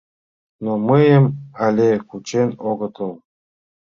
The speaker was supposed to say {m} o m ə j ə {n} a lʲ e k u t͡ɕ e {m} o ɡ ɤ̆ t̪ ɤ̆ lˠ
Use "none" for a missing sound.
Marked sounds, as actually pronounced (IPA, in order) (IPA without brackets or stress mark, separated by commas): n, m, n